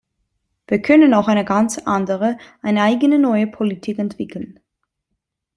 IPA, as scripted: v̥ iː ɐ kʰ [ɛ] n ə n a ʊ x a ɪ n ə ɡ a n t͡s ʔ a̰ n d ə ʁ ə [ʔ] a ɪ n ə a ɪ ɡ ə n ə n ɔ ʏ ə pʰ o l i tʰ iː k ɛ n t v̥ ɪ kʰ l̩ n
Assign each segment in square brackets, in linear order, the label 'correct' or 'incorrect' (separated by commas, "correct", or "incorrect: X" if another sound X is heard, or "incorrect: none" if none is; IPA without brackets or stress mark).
incorrect: œ, correct